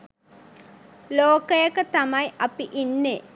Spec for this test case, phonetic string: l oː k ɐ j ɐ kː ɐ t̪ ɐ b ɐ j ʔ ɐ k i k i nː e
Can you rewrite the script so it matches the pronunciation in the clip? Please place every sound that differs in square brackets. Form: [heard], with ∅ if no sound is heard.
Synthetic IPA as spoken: l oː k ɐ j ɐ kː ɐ t̪ ɐ [m] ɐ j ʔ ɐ [p] i [ʔ] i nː e